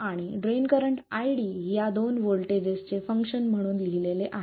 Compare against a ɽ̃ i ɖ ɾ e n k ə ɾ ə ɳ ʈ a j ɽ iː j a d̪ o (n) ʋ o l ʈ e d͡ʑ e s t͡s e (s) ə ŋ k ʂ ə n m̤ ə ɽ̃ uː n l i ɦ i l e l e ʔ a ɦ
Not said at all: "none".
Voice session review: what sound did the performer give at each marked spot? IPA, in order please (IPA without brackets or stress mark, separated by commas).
n, f